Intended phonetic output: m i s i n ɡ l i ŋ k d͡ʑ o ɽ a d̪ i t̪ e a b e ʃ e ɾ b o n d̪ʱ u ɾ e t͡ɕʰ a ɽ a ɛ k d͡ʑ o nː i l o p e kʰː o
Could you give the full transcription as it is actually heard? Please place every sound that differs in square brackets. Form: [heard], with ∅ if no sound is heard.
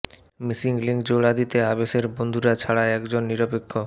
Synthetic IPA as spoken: m i s i [ŋ] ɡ l i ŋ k d͡ʑ o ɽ a d̪ i t̪ e a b e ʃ e ɾ b o n d̪ʱ u ɾ [a] t͡ɕʰ a ɽ a ɛ k d͡ʑ o nː i [ɾ] o p e kʰː o